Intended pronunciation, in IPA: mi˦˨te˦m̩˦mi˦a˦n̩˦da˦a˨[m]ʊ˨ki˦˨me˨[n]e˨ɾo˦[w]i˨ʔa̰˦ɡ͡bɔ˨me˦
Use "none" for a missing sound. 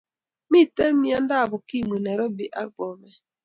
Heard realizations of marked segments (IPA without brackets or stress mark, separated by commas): b, n, b